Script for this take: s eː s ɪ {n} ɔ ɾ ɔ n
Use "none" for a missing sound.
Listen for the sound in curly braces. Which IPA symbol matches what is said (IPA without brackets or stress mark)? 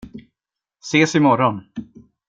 m